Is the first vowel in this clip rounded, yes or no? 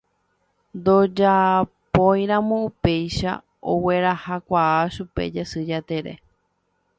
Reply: yes